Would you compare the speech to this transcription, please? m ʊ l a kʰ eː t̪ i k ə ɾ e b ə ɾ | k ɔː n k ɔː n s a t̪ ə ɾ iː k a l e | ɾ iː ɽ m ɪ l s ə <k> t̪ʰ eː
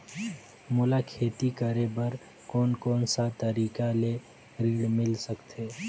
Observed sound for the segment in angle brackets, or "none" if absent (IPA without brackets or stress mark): k